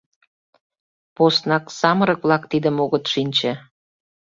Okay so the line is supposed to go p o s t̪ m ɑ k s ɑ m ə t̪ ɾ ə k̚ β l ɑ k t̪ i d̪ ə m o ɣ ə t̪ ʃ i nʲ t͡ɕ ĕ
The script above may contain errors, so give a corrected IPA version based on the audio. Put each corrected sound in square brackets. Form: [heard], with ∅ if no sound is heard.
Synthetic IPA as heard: p o s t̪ [n] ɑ k s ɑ m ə [∅] ɾ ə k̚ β l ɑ k t̪ i d̪ ə m o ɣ ə t̪ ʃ i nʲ t͡ɕ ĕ